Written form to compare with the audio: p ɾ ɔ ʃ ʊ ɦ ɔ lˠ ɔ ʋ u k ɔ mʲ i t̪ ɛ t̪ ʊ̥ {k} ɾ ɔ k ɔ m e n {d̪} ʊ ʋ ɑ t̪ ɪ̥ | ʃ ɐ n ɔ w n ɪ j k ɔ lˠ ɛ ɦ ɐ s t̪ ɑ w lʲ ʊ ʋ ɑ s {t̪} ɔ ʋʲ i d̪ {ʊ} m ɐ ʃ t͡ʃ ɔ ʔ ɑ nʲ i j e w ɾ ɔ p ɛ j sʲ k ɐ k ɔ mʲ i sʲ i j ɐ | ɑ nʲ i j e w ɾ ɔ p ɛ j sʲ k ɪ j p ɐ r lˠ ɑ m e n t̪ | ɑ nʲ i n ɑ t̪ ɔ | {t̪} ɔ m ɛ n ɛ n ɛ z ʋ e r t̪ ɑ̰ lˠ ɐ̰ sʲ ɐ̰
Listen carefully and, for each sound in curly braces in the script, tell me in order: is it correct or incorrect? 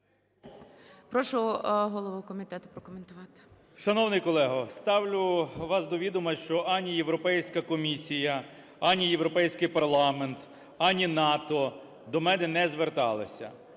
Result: incorrect: p, incorrect: t̪, incorrect: d̪, correct, incorrect: d̪

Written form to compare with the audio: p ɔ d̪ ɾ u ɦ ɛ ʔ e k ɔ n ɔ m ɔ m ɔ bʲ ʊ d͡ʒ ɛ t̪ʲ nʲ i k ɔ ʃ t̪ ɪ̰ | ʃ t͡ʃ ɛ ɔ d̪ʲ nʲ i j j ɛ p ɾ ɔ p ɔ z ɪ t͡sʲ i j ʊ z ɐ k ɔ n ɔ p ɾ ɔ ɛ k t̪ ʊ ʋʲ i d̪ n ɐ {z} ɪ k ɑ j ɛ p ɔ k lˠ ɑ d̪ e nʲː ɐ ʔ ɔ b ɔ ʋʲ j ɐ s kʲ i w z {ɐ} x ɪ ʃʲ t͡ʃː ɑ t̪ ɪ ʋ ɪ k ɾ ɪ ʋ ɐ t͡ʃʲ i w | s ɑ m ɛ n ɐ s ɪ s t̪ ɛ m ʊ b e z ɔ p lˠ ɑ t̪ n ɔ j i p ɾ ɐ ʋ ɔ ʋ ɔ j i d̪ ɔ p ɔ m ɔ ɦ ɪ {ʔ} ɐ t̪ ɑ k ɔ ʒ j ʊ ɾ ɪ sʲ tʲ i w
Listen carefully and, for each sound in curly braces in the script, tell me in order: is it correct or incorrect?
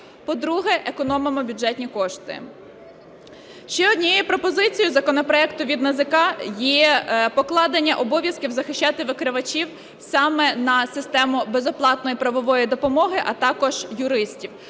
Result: correct, correct, correct

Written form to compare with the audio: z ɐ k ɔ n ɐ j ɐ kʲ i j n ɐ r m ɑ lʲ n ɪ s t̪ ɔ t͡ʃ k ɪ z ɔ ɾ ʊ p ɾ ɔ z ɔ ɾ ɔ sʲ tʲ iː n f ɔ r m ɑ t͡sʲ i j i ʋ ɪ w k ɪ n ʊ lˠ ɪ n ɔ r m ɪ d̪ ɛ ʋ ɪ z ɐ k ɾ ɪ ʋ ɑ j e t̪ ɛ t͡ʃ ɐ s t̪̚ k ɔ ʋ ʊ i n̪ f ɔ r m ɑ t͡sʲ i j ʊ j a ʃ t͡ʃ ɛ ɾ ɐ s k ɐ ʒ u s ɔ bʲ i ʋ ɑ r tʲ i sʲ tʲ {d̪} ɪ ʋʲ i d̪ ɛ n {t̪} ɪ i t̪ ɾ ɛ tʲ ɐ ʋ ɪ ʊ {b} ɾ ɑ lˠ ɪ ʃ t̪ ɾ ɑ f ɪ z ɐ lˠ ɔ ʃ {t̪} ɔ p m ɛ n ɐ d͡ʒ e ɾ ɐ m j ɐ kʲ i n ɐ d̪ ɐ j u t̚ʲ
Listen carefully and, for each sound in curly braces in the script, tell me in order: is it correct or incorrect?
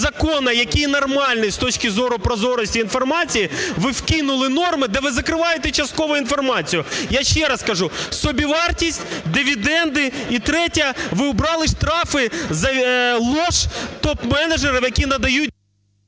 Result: correct, incorrect: d̪, correct, correct

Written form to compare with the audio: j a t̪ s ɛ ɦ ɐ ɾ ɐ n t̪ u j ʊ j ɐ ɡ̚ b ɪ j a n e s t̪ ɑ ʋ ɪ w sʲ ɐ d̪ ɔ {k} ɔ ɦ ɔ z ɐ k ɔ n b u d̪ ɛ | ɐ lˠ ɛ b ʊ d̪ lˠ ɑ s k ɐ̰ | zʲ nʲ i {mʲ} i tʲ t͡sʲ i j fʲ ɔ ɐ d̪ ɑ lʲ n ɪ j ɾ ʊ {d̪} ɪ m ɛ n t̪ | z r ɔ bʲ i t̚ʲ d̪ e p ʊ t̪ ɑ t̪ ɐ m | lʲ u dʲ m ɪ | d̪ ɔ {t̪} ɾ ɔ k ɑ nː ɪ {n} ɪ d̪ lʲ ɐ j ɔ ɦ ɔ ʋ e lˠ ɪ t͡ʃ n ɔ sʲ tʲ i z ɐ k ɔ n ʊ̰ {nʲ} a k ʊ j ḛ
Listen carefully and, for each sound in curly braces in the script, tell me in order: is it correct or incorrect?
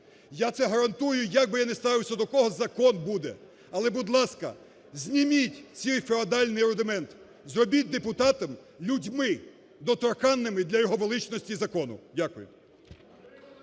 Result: correct, correct, correct, correct, incorrect: m, incorrect: dʲ

